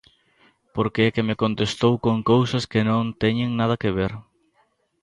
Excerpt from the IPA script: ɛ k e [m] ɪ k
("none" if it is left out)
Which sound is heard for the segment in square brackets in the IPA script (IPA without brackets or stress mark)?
m